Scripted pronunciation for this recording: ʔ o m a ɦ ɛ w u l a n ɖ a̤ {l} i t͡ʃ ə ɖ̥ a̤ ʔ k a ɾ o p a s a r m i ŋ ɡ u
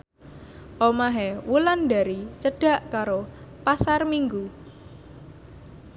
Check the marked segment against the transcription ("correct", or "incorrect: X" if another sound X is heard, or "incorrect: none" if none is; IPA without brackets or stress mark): incorrect: ɾ